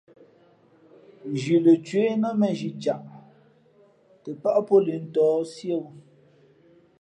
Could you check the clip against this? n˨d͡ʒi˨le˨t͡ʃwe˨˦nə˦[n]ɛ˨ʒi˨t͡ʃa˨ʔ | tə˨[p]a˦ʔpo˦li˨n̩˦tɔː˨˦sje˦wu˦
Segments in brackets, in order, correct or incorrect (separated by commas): incorrect, correct